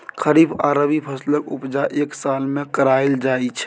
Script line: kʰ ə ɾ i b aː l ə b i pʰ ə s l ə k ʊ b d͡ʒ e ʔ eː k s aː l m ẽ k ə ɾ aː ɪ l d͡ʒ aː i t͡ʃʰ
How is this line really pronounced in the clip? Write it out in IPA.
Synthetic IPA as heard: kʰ ə ɾ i b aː ɾ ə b i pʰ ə s l ə k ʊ p d͡ʒ a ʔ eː k s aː l m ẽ k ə ɾ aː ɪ l d͡ʒ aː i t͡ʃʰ